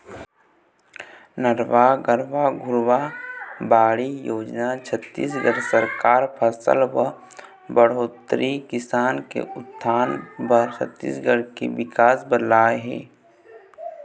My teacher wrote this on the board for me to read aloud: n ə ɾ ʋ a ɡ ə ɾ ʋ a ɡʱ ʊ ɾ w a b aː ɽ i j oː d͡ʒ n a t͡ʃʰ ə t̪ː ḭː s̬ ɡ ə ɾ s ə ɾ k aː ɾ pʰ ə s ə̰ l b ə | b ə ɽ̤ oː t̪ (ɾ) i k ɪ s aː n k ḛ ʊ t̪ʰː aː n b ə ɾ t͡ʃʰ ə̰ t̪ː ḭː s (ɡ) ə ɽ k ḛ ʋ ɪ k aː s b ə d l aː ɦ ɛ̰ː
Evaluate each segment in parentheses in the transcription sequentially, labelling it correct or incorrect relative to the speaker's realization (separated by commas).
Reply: correct, correct